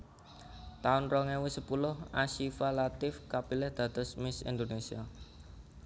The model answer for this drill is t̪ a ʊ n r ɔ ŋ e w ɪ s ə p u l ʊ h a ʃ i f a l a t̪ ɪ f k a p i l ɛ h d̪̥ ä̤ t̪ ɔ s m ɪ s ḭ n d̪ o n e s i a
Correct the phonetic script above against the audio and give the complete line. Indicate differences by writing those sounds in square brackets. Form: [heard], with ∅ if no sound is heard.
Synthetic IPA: t̪ a ʊ n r ɔ ŋ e w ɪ s ə p u l ʊ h a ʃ i f a l a t̪ ɪ f k a p i l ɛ h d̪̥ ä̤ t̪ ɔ s m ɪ s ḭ n d̪ o n e s i a